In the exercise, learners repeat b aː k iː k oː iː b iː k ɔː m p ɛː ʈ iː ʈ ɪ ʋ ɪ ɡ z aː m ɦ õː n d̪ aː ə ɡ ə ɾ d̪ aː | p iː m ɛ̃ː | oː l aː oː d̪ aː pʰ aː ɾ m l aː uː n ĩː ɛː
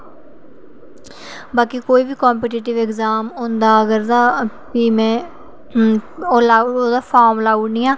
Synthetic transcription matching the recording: b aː k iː k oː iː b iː k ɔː m p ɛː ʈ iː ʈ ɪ ʋ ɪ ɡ z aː m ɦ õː n d̪ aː ə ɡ ə ɾ d̪ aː | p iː m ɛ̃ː | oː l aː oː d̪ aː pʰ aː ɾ m l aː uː n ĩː aː